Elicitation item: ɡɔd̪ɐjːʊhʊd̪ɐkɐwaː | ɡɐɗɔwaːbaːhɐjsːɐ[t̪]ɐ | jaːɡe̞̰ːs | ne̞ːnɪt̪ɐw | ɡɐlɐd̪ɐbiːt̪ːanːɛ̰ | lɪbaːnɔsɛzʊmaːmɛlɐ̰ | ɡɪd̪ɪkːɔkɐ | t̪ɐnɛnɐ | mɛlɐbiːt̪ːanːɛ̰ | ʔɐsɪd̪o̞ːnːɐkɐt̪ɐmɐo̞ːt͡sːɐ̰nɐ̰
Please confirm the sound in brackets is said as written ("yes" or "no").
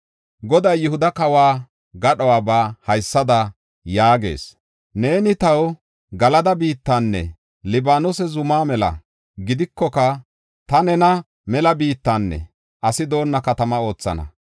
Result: no